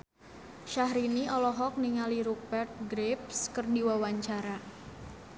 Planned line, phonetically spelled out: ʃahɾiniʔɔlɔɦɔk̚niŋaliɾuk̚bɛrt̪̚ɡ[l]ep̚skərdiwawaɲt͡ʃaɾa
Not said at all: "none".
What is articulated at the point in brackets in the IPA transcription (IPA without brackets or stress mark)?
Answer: ɾ